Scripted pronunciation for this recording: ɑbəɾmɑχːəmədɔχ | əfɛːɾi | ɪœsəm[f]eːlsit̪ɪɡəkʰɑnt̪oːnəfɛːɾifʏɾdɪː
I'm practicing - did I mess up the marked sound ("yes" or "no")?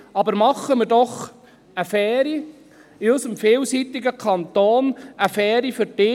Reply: no